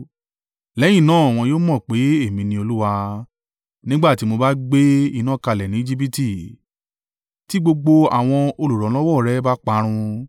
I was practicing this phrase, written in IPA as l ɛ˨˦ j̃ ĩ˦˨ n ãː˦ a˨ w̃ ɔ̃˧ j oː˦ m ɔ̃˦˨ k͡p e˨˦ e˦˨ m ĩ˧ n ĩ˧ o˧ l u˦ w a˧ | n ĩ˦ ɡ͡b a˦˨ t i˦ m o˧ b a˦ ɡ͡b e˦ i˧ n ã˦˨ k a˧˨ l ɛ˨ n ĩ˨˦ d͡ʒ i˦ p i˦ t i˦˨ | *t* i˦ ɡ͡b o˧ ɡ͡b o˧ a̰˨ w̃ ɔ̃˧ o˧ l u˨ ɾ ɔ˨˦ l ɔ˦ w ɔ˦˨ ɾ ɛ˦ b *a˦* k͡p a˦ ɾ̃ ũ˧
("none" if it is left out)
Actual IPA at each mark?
t, a˦

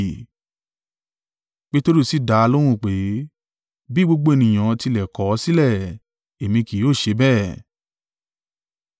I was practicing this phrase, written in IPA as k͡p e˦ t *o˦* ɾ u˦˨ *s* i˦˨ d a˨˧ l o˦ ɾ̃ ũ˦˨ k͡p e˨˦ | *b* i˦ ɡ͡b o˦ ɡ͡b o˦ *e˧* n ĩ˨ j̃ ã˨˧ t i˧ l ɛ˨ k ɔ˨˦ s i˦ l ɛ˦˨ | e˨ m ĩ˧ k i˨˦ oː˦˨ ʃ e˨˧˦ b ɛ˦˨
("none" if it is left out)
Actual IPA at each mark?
o˦, s, b, e˧

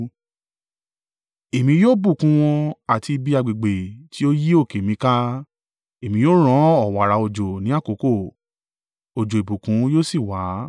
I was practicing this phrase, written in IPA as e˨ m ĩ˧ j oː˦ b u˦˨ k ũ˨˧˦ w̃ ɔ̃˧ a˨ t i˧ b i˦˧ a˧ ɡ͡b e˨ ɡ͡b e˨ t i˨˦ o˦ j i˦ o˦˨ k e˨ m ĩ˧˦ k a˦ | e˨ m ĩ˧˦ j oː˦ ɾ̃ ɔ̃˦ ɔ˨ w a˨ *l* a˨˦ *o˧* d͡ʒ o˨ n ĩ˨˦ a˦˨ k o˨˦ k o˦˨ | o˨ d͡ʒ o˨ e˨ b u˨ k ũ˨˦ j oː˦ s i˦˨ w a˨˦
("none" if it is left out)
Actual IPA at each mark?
ɾ, o˧

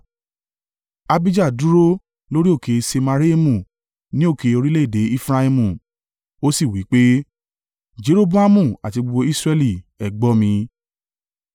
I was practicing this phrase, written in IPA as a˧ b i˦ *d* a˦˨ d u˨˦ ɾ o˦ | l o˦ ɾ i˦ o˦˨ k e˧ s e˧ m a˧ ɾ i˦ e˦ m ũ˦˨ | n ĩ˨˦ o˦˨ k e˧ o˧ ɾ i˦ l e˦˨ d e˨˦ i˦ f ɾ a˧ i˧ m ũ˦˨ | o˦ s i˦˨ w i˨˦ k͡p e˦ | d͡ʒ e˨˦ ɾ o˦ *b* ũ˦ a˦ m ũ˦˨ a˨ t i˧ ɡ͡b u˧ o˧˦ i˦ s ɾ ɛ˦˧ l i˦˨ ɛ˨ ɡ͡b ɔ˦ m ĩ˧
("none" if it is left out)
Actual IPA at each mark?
d͡ʒ, b

